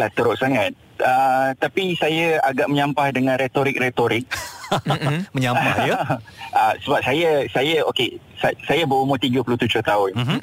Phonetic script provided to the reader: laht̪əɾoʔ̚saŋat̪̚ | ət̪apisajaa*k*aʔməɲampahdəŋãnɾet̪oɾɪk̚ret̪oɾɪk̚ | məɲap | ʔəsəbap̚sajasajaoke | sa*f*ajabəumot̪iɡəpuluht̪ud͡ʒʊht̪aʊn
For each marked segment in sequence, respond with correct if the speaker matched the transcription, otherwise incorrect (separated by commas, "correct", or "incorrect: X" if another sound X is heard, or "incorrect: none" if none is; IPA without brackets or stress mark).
incorrect: ɡ, incorrect: s